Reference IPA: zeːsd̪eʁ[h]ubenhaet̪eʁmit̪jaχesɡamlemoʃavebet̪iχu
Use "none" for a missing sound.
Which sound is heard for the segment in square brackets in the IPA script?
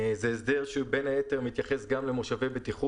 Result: ʃ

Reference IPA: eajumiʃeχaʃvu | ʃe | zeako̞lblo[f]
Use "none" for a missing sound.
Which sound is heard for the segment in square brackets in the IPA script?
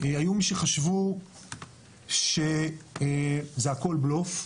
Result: f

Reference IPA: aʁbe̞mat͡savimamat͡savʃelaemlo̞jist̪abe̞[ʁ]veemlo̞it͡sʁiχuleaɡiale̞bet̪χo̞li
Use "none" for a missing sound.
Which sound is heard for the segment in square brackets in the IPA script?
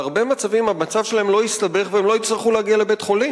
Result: χ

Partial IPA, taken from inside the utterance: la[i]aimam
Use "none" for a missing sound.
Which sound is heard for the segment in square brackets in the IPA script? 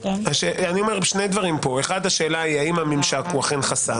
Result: i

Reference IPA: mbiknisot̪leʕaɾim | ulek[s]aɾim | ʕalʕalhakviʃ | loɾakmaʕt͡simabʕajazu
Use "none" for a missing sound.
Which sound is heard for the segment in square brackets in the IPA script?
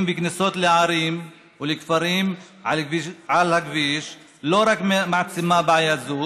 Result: f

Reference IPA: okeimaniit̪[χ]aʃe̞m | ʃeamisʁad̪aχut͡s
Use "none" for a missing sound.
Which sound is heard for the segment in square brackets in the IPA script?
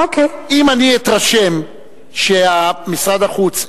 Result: ʁ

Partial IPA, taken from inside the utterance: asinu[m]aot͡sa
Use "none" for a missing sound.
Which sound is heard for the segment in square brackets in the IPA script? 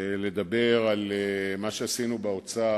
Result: b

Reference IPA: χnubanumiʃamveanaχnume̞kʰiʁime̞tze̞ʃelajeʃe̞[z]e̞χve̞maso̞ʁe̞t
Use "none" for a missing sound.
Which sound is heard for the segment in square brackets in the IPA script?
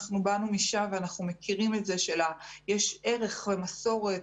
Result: ʁ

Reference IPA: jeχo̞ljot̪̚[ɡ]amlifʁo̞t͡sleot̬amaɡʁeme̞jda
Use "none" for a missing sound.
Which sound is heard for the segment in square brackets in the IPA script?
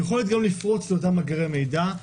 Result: ɡ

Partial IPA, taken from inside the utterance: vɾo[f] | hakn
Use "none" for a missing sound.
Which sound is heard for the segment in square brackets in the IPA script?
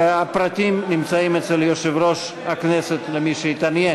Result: ʃ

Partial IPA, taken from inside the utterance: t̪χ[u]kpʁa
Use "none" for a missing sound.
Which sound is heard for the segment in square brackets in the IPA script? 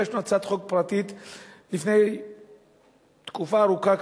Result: o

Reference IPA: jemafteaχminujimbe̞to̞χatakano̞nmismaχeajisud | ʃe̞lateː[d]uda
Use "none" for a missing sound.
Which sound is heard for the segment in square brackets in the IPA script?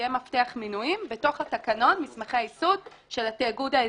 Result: ɡ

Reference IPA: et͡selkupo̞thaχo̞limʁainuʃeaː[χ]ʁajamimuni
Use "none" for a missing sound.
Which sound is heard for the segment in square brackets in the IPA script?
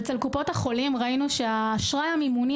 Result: ʃ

